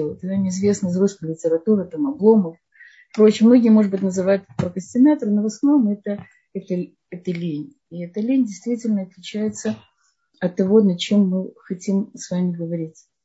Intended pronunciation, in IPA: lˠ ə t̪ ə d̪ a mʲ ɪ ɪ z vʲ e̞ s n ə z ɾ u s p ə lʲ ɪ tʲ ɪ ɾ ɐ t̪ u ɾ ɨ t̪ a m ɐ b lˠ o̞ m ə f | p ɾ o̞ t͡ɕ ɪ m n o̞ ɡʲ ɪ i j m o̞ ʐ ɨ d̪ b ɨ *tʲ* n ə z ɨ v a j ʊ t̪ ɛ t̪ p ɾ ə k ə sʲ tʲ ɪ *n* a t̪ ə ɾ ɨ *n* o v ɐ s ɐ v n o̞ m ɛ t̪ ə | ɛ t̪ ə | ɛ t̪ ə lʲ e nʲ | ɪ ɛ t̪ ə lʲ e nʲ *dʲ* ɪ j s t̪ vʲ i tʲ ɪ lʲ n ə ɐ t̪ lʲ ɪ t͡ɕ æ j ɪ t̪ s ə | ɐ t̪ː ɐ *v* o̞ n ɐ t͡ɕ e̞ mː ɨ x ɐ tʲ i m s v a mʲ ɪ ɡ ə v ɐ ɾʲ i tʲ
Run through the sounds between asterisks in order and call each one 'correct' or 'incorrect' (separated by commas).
correct, correct, correct, correct, correct